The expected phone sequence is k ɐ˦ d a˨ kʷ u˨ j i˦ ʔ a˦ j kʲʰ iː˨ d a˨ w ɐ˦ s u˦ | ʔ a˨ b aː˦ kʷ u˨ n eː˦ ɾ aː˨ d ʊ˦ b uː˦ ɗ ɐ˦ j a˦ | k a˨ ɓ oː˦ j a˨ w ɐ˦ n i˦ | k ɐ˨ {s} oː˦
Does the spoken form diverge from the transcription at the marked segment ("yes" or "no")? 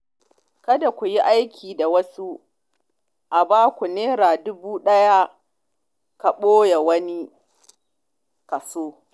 no